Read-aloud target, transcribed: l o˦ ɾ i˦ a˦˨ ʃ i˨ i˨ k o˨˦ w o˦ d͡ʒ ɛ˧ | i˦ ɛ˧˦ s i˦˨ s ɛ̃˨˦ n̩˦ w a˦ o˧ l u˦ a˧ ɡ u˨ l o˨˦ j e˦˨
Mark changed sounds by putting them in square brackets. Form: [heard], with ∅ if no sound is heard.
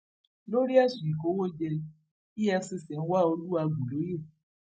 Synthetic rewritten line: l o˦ ɾ i˦ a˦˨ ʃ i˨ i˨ k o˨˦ w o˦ d͡ʒ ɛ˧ | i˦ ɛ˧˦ s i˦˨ s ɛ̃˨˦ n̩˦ w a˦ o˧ l u˦ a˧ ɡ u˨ l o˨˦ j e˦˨